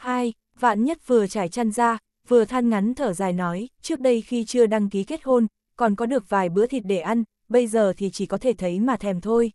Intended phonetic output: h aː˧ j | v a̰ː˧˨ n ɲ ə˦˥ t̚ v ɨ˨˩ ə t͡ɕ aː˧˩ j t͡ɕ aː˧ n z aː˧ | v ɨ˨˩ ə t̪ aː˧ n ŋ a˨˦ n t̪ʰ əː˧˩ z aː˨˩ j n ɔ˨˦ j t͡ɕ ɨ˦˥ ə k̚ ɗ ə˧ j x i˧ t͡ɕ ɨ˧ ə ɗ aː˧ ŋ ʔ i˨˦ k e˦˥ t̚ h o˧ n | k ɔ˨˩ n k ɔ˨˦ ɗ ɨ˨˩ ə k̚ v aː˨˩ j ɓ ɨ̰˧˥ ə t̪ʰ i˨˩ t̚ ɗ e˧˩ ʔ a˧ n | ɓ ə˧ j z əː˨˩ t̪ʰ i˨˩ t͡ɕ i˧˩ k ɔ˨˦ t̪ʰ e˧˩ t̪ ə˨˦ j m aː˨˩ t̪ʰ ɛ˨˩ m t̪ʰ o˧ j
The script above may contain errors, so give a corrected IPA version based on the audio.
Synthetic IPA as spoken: h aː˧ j | v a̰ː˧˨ n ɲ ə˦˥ t̚ v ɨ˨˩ ə t͡ɕ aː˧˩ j t͡ɕ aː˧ n z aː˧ | v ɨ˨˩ ə t̪ʰ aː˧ n ŋ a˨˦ n t̪ʰ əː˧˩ z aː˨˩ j n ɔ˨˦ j t͡ɕ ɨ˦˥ ə k̚ ɗ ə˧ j x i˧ t͡ɕ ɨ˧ ə ɗ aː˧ ŋ k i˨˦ k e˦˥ t̚ h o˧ n | k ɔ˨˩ n k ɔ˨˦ ɗ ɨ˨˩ ə k̚ v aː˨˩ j ɓ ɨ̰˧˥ ə t̪ʰ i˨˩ t̚ ɗ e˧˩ ʔ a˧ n | ɓ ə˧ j z əː˨˩ t̪ʰ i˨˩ t͡ɕ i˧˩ k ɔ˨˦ t̪ʰ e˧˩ t̪ʰ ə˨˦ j m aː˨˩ t̪ʰ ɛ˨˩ m t̪ʰ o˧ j